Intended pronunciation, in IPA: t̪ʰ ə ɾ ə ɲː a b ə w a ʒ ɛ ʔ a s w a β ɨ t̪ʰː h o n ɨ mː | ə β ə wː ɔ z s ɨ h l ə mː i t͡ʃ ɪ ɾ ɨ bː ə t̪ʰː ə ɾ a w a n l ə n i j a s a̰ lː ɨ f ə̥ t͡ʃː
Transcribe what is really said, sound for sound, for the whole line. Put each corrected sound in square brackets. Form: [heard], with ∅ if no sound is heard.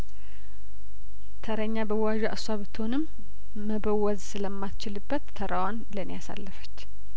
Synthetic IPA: t̪ʰ ə ɾ ə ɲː a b ə w a ʒ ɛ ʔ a s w a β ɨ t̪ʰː h o n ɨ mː | ə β ə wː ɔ z s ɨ [∅] l ə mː [a] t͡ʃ ɪ [l] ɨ bː ə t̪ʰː ə ɾ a w a n l ə n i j a s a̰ lː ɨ f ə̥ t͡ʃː